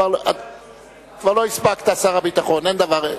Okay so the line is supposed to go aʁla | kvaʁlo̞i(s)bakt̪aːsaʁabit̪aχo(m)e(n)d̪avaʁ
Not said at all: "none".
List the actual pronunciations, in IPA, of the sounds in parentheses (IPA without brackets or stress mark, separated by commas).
s, n, n